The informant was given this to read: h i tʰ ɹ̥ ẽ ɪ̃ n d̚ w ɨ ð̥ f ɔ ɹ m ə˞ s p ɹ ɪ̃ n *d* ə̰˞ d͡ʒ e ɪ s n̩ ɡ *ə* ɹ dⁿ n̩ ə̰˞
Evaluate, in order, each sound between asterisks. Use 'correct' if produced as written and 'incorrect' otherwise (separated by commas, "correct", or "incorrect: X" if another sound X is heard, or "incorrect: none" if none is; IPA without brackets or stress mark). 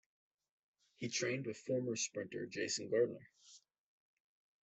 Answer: incorrect: t, incorrect: ɑ